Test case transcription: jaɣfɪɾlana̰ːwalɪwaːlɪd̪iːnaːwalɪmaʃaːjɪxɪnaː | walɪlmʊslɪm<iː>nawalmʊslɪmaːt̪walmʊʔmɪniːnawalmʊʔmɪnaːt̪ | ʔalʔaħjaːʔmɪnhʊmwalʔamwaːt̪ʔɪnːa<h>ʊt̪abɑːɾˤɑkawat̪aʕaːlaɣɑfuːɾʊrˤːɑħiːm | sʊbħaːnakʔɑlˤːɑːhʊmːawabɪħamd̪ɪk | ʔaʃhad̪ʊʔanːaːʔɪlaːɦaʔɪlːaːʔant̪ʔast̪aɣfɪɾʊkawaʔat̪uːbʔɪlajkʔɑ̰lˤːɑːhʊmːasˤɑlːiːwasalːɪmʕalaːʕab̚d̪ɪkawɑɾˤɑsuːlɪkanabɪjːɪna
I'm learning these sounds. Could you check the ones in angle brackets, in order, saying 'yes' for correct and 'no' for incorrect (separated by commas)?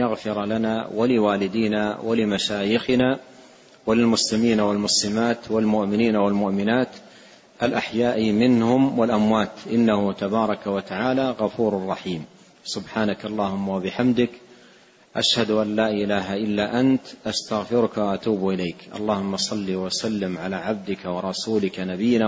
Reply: yes, yes